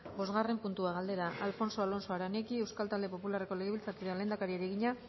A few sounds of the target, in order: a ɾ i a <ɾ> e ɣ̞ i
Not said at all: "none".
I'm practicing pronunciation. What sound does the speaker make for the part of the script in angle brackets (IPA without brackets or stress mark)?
ɾ